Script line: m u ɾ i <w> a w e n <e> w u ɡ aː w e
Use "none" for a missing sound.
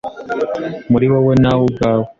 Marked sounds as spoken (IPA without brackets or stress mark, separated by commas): w, a